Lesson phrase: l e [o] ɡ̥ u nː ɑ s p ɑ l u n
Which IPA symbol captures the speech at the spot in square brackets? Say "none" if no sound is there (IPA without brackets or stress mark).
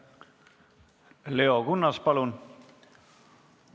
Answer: o